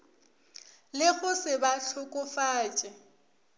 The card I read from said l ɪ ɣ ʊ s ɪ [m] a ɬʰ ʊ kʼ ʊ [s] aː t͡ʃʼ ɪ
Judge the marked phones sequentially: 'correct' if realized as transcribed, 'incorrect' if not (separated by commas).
incorrect, incorrect